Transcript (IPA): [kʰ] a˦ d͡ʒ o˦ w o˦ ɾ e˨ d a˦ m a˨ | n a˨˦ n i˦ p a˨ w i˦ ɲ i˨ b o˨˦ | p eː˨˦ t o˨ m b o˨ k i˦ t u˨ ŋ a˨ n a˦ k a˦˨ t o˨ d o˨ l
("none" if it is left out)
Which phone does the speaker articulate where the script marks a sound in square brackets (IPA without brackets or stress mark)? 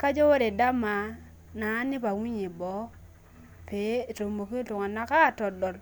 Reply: k